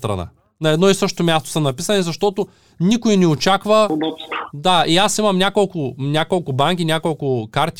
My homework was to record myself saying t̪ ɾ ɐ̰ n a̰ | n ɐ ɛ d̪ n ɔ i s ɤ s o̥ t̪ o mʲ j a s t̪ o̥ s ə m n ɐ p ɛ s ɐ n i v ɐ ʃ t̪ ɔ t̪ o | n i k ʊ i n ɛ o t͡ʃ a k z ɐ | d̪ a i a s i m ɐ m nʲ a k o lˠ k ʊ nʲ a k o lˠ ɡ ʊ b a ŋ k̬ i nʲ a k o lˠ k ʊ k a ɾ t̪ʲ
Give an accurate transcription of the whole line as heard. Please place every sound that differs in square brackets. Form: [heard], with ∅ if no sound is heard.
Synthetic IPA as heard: t̪ ɾ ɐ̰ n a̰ | n ɐ ɛ d̪ n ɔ i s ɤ [ʃ] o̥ t̪ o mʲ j a s t̪ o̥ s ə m n ɐ p [i] s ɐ n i [z] ɐ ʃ t̪ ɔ t̪ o | n i k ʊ i n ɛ o t͡ʃ a k [v] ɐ | d̪ a i a s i m ɐ m nʲ a k o lˠ k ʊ nʲ a k o lˠ [k] ʊ b a ŋ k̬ i nʲ a k o lˠ k ʊ k a ɾ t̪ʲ